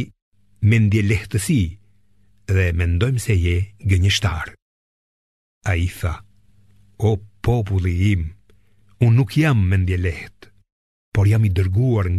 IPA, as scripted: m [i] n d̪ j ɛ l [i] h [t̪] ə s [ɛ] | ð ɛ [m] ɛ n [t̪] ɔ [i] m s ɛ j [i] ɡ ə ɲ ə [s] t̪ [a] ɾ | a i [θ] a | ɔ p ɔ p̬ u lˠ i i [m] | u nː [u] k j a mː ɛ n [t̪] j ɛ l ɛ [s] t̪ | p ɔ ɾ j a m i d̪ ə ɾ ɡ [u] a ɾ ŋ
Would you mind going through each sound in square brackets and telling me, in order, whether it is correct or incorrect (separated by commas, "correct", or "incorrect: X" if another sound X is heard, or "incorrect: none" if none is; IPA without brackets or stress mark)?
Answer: incorrect: ɛ, incorrect: ɛ, correct, incorrect: i, correct, incorrect: d̪, incorrect: j, incorrect: ɛ, incorrect: ʃ, correct, correct, correct, correct, incorrect: d̪, incorrect: h, correct